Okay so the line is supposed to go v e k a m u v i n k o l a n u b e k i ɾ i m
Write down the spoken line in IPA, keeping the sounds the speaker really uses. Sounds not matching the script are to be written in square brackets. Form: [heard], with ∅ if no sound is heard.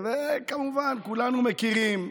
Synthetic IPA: v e k a m u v [a] n k [u] l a n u [m] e k i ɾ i m